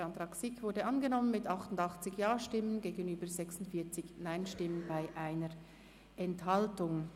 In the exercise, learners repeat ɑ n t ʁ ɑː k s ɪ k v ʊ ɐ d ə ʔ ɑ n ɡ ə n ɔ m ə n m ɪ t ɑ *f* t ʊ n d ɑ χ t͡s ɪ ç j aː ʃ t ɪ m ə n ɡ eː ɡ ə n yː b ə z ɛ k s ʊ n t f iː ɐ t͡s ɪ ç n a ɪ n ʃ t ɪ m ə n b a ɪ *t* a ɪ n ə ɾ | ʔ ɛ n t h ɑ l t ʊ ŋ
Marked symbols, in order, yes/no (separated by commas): no, no